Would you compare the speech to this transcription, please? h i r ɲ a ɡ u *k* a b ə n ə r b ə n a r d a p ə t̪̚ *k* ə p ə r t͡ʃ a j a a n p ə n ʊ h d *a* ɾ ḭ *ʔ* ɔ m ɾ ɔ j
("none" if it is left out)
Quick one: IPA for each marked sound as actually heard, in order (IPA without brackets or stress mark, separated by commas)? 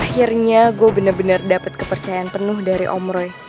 none, k, a, ʔ